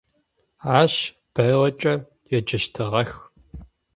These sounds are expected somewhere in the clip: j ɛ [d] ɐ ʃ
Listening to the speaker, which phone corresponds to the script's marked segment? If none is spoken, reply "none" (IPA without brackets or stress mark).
d͡ʒ